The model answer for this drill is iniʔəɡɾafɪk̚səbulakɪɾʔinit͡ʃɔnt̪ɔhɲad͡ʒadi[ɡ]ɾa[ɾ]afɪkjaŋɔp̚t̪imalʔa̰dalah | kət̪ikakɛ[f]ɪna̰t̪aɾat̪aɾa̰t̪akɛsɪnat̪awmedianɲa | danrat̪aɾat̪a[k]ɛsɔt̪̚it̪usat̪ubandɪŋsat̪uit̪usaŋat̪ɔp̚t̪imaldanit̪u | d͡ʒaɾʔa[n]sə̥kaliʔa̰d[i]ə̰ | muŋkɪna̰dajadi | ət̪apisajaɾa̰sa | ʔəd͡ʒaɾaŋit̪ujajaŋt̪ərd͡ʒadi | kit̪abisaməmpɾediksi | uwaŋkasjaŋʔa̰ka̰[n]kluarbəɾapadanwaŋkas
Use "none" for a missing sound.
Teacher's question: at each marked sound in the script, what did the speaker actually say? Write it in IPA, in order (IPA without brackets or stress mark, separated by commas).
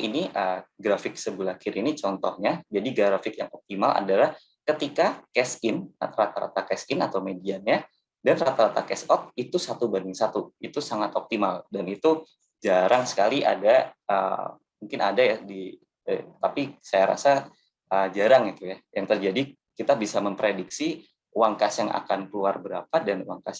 ɡ, ɾ, s, k, ŋ, a, n